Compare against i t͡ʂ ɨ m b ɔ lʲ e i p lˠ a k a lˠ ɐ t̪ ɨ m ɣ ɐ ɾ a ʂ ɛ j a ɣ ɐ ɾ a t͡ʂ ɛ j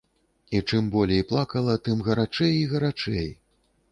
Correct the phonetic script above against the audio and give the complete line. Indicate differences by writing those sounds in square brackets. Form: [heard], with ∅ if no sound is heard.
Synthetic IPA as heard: i t͡ʂ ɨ m b ɔ lʲ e [j] p lˠ a k [ɐ] lˠ ɐ t̪ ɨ m ɣ ɐ ɾ a [t͡ʂ] ɛ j [i] ɣ ɐ ɾ a t͡ʂ ɛ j